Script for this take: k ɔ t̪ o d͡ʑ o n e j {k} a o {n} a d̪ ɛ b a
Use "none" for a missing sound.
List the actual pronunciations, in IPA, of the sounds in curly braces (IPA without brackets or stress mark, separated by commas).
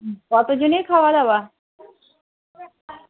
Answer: kʰ, none